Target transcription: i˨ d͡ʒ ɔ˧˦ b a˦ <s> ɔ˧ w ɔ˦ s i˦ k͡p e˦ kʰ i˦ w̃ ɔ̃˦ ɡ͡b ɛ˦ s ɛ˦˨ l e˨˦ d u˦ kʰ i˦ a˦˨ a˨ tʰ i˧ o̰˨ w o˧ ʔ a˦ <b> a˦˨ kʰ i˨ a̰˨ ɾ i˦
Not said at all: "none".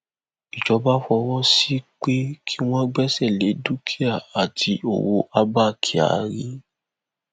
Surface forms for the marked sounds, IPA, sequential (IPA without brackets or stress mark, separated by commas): f, b